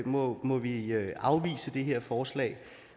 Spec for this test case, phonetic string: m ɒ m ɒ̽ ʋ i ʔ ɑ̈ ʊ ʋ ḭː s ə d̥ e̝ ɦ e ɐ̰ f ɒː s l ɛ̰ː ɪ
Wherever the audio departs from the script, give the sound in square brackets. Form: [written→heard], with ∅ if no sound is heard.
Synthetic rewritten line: m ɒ m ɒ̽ ʋ i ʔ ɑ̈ ʊ ʋ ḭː s ə d̥ e̝ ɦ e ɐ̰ f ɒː s l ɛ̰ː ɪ